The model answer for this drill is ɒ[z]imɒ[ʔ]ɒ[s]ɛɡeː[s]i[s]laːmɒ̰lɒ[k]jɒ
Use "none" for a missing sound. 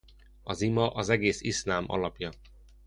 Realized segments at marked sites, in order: z, ʔ, z, s, s, p

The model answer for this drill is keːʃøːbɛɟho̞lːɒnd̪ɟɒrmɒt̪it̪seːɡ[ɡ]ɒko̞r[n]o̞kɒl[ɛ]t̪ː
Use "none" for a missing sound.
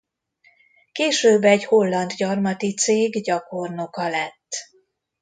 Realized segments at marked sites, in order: ɟ, n, ɛ

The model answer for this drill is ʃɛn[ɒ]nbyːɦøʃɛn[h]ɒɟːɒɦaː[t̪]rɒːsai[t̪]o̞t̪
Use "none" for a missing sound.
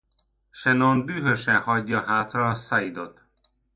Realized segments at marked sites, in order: o, h, t̪, d̪

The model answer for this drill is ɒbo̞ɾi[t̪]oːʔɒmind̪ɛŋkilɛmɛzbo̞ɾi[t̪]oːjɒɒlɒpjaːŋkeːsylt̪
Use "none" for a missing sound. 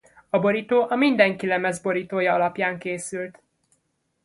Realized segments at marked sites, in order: t̪, t̪

